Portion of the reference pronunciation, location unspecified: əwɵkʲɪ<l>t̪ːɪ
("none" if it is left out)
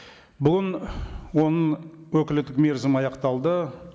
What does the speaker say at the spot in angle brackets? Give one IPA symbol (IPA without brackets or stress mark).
l